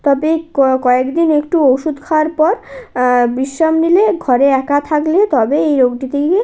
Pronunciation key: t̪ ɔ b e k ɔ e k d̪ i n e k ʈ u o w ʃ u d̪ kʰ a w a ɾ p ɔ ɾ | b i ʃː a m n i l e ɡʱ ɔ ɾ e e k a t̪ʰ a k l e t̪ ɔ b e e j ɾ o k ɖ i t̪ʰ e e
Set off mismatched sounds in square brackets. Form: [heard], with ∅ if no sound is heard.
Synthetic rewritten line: t̪ ɔ b e k ɔ e k d̪ i n e k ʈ u o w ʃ u d̪ kʰ a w a ɾ p ɔ ɾ | b i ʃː a m n i l e ɡʱ ɔ ɾ e [ɛ] k a t̪ʰ a k l e t̪ ɔ b e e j ɾ o [ɡ] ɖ i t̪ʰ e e